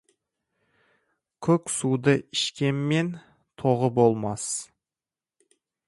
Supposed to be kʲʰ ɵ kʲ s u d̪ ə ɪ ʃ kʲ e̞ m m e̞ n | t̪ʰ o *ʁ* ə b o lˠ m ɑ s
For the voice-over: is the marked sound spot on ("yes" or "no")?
yes